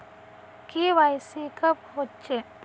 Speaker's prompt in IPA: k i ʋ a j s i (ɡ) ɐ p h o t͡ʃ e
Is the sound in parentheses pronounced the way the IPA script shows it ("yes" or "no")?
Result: no